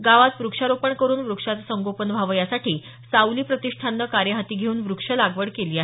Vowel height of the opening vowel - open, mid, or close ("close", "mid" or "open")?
open